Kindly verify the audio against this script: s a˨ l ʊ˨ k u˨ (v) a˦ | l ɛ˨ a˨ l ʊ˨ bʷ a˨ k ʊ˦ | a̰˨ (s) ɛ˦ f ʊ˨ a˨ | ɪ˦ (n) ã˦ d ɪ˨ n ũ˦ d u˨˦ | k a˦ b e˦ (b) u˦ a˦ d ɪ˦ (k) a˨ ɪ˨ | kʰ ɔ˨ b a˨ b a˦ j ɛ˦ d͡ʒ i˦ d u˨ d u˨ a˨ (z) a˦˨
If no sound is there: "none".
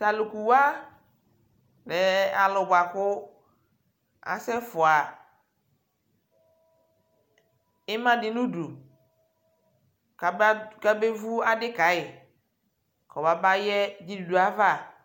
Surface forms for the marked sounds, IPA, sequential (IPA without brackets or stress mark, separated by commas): w, s, m, v, k, v